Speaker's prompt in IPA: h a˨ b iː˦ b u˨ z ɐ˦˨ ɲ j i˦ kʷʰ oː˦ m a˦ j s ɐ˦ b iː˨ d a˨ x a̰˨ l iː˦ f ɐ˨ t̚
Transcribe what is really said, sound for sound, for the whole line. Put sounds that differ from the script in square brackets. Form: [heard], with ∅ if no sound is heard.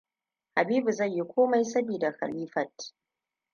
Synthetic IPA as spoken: h a˨ b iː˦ b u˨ z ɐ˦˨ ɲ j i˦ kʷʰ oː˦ m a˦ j s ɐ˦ b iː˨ d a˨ x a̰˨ l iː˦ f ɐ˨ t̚